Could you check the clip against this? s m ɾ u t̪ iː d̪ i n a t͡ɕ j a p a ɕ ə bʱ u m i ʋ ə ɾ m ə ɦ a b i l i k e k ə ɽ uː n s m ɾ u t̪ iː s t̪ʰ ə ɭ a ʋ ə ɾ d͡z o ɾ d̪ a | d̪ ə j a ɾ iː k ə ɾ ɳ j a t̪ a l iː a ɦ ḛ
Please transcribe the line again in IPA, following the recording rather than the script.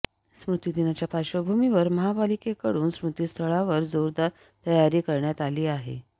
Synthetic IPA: s m ɾ u t̪ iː d̪ i n a t͡ɕ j a p a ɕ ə bʱ u m i ʋ ə ɾ m ə ɦ a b a l i k e k ə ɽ uː n s m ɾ u t̪ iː s t̪ʰ ə ɭ a ʋ ə ɾ d͡z o ɾ d̪ a | t̪ ə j a ɾ iː k ə ɾ ɳ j a t̪ a l iː a ɦ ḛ